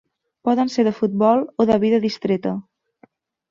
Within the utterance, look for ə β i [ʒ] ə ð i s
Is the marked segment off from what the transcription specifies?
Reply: yes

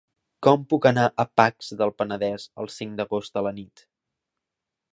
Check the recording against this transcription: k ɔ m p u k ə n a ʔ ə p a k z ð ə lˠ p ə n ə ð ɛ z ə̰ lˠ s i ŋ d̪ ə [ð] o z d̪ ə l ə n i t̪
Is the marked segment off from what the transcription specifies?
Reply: yes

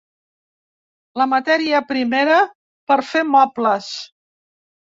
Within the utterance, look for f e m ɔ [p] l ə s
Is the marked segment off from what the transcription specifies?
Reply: no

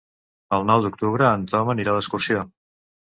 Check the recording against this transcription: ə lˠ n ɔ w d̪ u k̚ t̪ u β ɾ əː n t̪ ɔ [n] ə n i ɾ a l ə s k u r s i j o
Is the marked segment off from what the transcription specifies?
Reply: yes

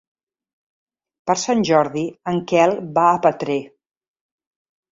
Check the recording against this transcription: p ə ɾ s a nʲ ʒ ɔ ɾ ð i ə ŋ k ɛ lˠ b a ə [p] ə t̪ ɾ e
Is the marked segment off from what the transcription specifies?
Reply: no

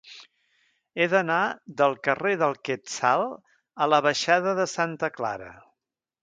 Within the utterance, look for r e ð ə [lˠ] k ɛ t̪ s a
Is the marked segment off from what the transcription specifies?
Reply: no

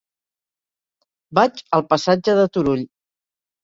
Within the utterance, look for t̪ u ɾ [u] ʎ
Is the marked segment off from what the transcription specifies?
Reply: no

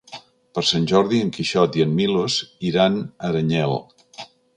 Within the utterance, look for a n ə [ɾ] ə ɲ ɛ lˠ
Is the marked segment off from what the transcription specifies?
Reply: no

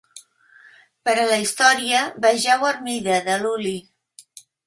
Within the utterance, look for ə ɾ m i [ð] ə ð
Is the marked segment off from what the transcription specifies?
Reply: no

